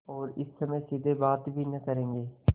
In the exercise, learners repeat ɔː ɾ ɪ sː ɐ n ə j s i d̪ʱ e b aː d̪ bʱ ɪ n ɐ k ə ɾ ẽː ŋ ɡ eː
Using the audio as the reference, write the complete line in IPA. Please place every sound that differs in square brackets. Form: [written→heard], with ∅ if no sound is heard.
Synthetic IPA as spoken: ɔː ɾ ɪ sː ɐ [n→m] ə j s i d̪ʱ e b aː [d̪→t̪] bʱ [ɪ→i] n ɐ k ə ɾ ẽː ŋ ɡ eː